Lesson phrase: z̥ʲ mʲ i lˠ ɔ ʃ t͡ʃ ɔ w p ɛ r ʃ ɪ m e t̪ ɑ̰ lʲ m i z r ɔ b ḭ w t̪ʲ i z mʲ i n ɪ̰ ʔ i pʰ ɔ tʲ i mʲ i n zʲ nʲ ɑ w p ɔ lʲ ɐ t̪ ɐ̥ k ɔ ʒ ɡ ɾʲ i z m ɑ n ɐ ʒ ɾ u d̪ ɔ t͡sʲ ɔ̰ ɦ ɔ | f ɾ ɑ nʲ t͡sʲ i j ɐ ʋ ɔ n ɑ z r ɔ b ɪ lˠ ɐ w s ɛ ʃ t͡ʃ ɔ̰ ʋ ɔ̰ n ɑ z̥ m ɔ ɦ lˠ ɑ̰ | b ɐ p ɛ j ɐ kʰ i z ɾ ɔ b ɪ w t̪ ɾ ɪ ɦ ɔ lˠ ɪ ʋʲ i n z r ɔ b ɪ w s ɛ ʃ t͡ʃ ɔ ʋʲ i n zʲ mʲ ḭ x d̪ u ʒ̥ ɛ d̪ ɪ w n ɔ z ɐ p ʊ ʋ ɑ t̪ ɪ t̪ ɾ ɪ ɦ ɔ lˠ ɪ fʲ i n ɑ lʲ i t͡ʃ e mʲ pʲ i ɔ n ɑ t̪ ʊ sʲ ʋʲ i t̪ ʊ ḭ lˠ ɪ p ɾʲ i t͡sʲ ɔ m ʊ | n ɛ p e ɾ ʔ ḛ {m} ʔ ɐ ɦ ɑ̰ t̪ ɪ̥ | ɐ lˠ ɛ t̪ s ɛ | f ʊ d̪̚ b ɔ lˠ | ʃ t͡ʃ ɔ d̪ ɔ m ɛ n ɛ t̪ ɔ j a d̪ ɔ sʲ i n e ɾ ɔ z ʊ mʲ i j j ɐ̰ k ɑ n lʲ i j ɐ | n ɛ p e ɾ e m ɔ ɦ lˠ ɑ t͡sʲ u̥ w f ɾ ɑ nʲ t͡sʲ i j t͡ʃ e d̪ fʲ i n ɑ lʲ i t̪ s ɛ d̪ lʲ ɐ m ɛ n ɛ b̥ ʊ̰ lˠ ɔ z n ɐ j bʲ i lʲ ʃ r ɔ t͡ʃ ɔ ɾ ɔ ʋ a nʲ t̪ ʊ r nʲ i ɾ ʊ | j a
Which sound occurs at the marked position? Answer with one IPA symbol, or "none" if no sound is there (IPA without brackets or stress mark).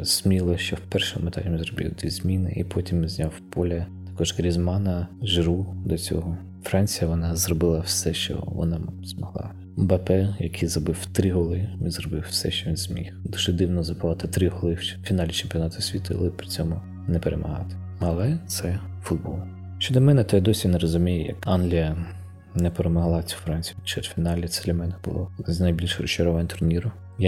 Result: m